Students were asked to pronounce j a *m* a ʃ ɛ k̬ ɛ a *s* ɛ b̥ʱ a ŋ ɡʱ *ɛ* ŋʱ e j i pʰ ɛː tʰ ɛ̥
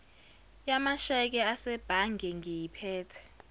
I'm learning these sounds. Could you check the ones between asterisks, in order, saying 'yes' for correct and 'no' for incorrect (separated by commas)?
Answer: yes, yes, yes